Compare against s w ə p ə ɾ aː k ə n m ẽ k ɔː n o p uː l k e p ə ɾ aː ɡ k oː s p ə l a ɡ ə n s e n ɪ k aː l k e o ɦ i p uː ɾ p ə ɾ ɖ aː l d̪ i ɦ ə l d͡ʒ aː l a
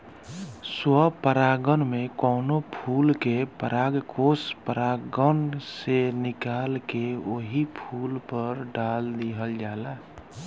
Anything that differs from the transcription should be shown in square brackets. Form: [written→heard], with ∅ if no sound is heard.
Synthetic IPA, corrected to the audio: s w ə p ə ɾ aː [k→ɡ] ə n m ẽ k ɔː n o [p→pʰ] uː l k e p ə ɾ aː ɡ k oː s p ə [l→ɾ] a ɡ ə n s e n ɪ k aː l k e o ɦ i [p→pʰ] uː [ɾ→l] p ə ɾ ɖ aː l d̪ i ɦ ə l d͡ʒ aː l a